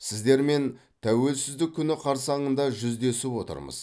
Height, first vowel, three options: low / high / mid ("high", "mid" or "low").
high